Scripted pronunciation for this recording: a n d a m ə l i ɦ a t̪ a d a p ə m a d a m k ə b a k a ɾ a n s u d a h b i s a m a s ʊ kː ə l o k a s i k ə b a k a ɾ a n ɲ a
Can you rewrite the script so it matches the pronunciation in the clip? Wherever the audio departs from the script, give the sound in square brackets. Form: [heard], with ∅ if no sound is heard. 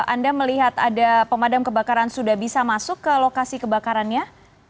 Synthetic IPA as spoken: a n d a m ə l i ɦ a t̪ a d a p ə m a d a m k ə b a k a ɾ a n s u d a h b i s a m a s ʊ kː ə l o k a s i k ə b a k a ɾ a n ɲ a

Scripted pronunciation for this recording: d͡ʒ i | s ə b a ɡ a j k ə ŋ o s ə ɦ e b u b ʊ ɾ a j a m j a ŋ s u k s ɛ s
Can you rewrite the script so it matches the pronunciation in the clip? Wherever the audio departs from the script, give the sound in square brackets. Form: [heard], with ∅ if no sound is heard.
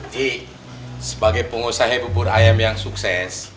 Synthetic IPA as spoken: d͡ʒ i | s ə b a ɡ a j [p] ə ŋ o s [a] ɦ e b u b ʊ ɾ a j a m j a ŋ s u k s ɛ s

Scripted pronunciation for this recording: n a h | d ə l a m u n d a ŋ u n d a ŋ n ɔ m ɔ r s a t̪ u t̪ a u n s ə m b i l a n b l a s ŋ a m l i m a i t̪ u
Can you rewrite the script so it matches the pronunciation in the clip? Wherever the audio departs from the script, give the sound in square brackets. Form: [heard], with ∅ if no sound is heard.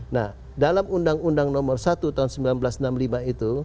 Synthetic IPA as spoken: n a h | d [a] l a m u n d a ŋ u n d a ŋ n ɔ m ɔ r s a t̪ u t̪ a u n s ə m b i l a n b l a s [n] a m l i m a i t̪ u

